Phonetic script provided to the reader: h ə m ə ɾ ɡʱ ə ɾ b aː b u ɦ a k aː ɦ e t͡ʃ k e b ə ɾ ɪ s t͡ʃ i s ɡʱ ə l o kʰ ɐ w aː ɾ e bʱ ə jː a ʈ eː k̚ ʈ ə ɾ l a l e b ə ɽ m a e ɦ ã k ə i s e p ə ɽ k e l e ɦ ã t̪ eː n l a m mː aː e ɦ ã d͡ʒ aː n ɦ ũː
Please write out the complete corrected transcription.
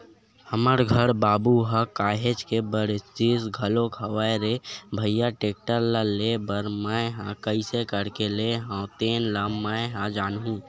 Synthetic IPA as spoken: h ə m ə ɾ ɡʱ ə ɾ b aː b u ɦ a k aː ɦ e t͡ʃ k e b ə ɾ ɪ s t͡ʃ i s ɡʱ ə l o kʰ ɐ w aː ɾ e bʱ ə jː a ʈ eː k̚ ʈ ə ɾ l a l e b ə ɾ m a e ɦ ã k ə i s e k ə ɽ k e l e ɦ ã t̪ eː n l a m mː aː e ɦ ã d͡ʒ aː n ɦ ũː

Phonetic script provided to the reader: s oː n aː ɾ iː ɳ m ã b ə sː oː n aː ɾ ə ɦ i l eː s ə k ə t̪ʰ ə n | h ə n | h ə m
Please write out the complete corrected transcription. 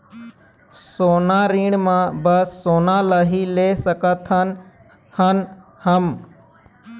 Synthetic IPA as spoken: s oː n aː ɾ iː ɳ m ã b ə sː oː n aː l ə ɦ i l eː s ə k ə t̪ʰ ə n | h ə n | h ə m

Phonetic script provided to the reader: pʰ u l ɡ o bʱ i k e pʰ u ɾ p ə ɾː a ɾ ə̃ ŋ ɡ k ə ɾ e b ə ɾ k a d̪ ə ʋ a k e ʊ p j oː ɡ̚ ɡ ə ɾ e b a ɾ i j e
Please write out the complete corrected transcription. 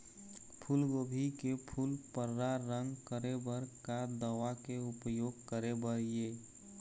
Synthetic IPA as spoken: pʰ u l ɡ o bʱ i k e pʰ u l p ə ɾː a ɾ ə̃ ŋ ɡ k ə ɾ e b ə ɾ k a d̪ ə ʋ a k e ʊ p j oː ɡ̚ k ə ɾ e b ə ɾ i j e

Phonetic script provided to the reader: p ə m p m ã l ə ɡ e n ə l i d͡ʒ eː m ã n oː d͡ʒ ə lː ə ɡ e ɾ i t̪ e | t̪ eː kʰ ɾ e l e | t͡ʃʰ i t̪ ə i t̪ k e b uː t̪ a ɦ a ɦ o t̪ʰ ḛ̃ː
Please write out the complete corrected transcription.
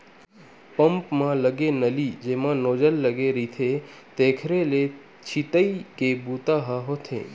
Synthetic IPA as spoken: p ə m p m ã l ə ɡ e n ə l i d͡ʒ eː m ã n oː d͡ʒ ə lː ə ɡ e ɾ i t̪ʰ e | t̪ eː kʰ ɾ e l e | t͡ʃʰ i t̪ ə i k e b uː t̪ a ɦ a ɦ o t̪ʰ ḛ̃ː

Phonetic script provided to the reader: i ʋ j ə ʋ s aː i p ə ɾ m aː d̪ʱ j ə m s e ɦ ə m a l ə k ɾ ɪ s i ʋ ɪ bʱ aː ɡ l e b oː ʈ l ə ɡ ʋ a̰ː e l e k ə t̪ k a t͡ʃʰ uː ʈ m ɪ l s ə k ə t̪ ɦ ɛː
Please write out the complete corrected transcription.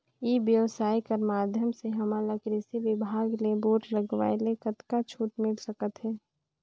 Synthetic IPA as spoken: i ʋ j ə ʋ s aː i k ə ɾ m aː d̪ʱ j ə m s e ɦ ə m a l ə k ɾ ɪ s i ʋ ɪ bʱ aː ɡ l e b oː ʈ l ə ɡ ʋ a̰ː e l e k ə t̪ k a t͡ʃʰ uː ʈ m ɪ l s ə k ə t̪ ɦ ɛː

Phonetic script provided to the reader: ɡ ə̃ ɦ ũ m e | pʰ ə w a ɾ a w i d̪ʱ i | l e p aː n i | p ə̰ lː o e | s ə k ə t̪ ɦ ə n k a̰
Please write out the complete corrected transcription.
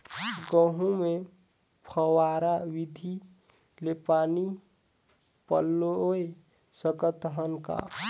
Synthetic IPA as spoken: ɡ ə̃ ɦ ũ m e | pʰ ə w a ɾ a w i d̪ʱ i | l e p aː n i | p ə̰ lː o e | s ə k ə t̪ ɦ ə n k a̰

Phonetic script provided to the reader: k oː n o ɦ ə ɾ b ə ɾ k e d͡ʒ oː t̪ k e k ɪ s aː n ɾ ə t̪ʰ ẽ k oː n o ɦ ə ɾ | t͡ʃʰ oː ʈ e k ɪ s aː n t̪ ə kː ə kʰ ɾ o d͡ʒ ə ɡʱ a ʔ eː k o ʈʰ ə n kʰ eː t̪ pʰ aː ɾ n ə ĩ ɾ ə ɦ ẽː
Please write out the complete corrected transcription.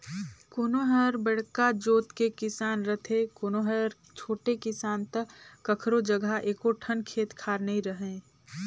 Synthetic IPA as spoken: k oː n o ɦ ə ɾ b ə ɽ k a d͡ʒ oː t̪ k e k ɪ s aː n ɾ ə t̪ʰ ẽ k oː n o ɦ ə ɾ | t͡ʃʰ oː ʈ e k ɪ s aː n t̪ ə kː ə kʰ ɾ o d͡ʒ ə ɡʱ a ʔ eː k o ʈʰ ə n kʰ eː t̪ kʰ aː ɾ n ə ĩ ɾ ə ɦ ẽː

